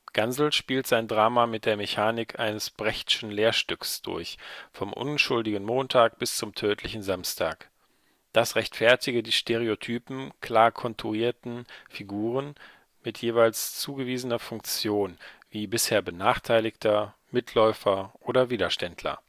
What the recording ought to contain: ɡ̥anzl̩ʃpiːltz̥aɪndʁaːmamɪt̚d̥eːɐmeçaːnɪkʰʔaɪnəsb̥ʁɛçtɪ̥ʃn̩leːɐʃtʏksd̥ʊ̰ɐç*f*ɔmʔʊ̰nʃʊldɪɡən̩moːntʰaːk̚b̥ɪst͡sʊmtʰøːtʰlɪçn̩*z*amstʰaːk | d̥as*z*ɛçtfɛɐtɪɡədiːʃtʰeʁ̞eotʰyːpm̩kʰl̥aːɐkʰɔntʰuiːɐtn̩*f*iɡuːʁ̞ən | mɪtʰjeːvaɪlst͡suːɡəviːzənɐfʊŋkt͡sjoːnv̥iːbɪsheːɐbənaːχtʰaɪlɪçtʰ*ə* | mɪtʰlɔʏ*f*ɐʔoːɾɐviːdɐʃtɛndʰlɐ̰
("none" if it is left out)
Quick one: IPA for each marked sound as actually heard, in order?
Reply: f, z, ʁ, f, ɐ, f

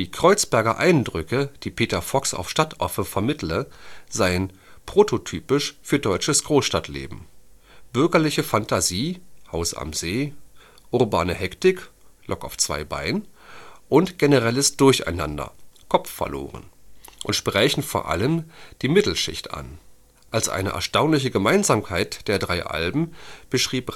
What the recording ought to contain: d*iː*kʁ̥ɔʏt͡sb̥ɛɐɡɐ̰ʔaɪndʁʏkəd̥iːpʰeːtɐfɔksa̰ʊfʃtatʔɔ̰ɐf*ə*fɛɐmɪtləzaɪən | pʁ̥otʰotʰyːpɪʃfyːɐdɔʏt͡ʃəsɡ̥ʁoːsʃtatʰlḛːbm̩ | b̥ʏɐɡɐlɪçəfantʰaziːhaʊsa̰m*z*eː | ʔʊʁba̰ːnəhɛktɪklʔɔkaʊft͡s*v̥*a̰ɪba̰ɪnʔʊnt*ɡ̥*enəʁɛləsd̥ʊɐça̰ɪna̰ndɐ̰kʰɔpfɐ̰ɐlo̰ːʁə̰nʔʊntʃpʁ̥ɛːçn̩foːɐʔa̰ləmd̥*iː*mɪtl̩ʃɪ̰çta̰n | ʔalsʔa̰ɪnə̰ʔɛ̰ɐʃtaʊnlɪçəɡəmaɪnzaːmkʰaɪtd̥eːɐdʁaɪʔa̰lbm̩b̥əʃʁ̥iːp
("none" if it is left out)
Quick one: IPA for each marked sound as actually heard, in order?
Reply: iː, ə, z, v̥, ɡ̥, iː

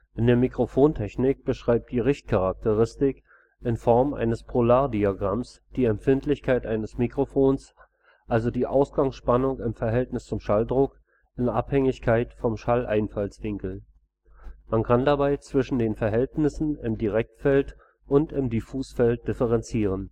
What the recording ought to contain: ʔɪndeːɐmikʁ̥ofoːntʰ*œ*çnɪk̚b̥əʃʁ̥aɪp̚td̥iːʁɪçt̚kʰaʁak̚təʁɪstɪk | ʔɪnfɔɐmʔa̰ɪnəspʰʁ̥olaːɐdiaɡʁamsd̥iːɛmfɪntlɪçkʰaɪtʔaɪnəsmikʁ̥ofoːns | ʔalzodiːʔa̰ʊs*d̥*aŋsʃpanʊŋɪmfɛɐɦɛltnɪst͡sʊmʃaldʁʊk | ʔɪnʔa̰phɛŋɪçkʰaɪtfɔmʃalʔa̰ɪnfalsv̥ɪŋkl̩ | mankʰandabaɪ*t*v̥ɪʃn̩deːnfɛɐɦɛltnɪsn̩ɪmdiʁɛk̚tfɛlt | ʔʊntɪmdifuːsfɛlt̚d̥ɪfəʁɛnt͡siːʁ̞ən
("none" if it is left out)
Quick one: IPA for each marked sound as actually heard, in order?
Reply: ɛ, ɡ̥, t͡s

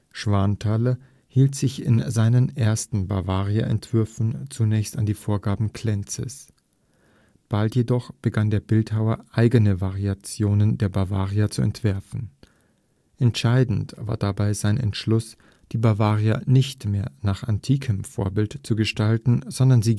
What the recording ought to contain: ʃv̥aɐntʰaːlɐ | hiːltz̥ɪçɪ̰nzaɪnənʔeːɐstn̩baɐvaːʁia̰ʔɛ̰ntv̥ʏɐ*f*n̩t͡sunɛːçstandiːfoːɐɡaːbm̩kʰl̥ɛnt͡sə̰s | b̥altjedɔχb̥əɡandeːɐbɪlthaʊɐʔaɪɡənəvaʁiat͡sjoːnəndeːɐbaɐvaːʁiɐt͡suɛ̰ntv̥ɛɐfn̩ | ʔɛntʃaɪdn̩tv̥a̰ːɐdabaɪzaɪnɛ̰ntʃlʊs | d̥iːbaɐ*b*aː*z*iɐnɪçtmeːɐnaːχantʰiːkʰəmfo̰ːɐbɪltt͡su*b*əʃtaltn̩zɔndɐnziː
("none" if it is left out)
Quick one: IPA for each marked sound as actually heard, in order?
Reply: f, v, ʁ, ɡ

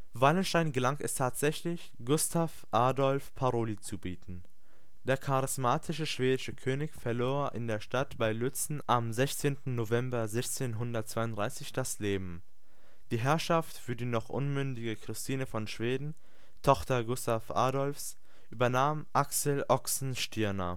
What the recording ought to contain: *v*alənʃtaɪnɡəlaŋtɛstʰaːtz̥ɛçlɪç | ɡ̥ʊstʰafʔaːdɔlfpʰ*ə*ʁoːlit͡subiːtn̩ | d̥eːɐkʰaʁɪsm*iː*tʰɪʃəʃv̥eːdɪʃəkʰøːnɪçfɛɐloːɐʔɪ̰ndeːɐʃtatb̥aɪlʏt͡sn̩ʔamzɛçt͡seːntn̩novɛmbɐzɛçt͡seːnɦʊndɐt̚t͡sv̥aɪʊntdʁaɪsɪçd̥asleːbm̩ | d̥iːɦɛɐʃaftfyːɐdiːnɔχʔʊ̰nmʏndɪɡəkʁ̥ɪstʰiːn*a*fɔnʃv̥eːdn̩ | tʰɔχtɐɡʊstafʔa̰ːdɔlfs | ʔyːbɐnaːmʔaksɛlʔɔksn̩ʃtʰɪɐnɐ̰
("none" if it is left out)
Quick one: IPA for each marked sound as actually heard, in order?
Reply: v, a, aː, ə

